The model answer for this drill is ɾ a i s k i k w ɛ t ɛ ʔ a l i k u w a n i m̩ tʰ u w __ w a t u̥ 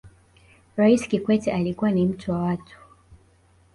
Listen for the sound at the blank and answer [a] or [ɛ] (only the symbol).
a